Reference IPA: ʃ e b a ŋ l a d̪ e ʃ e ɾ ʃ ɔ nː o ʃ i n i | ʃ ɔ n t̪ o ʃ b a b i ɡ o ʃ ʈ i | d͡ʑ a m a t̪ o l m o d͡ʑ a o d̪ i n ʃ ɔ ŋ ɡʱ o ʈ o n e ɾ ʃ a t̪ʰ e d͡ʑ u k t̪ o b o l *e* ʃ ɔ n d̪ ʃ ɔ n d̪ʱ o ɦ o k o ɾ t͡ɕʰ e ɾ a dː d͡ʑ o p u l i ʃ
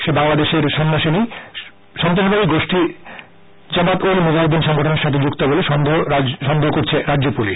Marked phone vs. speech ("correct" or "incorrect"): correct